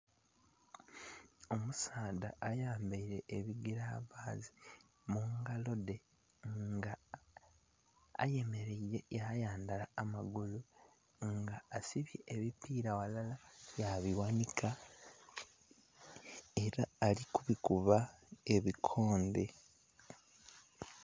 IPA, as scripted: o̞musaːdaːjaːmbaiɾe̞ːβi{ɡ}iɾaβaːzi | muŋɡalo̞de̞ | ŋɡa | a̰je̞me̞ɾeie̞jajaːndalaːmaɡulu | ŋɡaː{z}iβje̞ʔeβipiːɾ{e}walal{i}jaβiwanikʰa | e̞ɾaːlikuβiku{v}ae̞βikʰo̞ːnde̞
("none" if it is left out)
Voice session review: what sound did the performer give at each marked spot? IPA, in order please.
ɡ, s, a, a, β

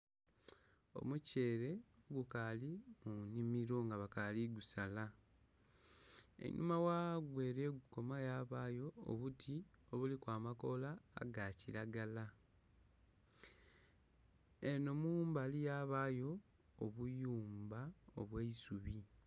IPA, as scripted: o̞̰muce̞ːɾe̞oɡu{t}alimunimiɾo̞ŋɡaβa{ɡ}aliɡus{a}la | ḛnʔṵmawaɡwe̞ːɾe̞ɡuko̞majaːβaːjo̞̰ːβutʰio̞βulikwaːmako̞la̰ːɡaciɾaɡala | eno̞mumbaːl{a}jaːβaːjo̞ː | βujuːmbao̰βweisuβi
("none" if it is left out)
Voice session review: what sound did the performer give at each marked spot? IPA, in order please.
k, k, a, i

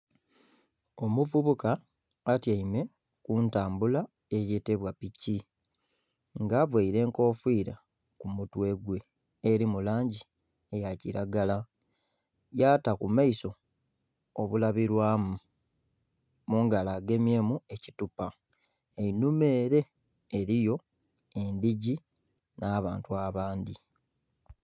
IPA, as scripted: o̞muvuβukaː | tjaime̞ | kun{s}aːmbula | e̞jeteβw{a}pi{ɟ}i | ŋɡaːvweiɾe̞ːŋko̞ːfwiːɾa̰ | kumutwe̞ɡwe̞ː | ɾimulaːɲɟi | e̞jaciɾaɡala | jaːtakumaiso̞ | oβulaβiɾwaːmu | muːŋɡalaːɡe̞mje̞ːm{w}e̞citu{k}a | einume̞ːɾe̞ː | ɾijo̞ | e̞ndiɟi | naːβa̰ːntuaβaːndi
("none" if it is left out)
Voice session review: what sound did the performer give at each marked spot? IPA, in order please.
t, a, c, u, p

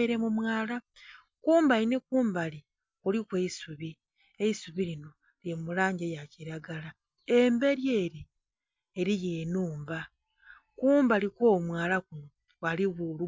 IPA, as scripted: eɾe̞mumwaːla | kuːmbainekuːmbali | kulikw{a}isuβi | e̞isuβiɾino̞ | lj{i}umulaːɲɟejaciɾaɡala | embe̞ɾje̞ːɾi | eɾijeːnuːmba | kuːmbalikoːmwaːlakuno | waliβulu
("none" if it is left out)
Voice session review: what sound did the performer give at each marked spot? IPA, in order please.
e, e

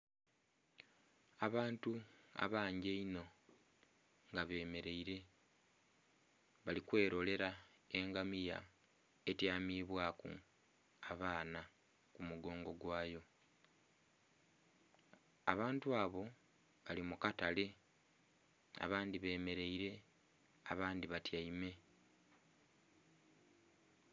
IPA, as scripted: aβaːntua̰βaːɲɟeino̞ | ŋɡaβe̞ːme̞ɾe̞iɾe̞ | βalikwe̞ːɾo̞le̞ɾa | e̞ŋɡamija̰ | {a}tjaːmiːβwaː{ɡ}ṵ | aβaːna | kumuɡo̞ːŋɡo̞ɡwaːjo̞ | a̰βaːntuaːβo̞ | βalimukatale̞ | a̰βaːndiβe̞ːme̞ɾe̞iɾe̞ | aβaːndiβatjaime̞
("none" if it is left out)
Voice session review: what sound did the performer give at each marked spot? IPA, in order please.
e, k

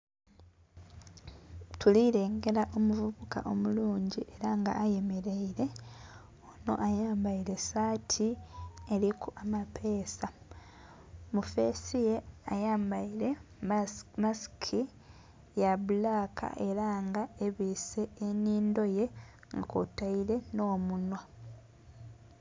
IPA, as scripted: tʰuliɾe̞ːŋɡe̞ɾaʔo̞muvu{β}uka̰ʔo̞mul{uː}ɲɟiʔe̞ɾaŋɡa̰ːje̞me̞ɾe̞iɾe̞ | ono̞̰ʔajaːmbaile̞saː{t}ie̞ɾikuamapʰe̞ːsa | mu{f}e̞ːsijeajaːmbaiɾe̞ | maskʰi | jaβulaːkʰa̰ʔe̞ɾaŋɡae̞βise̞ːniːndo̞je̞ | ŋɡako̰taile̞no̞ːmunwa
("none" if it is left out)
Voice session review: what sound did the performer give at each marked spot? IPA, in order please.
β, uː, tʰ, f

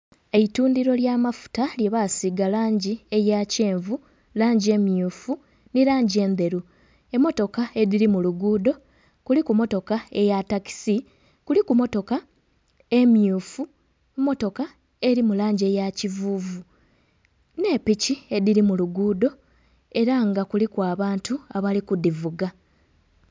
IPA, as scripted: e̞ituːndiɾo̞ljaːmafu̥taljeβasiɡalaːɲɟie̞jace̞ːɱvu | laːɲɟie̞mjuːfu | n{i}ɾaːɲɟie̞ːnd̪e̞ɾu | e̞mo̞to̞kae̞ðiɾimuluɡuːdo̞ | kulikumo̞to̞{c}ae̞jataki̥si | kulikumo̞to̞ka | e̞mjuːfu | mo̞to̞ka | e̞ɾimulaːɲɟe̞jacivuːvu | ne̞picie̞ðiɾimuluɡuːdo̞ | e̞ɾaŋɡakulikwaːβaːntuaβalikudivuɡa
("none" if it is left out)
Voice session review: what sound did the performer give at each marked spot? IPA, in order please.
i, k

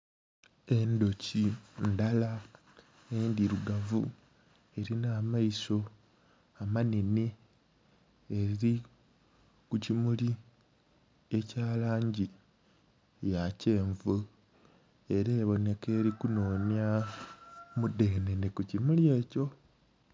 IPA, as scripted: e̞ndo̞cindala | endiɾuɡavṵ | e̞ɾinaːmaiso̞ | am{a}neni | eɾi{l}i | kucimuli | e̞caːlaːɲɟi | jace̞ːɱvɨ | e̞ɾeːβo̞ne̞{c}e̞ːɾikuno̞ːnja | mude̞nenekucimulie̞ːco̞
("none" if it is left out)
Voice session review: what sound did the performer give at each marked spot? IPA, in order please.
a, ɾ, k

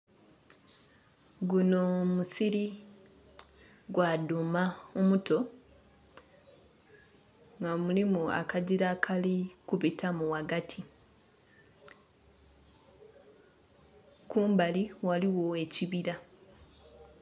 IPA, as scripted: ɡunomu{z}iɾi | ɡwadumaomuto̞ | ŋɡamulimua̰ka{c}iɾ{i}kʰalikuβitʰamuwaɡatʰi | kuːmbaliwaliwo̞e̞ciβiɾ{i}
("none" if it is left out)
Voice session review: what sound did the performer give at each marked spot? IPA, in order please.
s, ɟ, a, a

